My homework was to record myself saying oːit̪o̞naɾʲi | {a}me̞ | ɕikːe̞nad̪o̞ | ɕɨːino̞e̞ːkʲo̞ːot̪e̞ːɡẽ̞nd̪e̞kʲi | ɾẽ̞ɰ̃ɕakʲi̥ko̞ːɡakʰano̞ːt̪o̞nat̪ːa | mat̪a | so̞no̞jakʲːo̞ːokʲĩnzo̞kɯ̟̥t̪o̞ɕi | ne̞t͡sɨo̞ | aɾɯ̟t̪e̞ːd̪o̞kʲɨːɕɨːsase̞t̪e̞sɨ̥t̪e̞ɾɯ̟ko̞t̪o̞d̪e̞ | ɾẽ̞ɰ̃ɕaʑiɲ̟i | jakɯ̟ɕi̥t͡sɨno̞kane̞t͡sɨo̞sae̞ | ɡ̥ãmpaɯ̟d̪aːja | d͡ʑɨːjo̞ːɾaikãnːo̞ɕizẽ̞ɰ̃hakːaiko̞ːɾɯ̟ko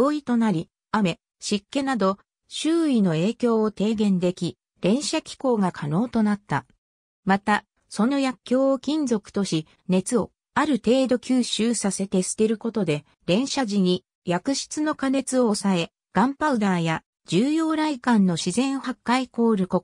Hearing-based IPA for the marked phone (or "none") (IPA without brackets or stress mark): a